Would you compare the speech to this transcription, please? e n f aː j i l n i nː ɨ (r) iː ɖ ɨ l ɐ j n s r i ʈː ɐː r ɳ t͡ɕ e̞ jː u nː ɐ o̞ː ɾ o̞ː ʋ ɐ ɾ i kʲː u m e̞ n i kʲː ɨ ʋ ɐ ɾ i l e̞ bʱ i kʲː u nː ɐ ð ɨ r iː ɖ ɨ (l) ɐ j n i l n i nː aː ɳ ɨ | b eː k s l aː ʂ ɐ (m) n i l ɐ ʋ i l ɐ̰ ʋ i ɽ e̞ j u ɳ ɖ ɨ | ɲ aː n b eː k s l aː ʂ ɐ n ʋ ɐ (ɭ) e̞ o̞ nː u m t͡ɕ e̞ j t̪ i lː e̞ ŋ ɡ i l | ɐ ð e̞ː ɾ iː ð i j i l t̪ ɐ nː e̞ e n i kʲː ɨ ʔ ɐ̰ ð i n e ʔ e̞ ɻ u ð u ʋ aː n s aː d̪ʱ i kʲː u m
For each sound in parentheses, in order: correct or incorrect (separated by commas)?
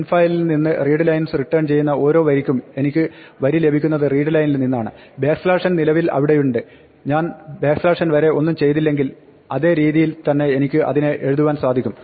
correct, correct, incorrect, incorrect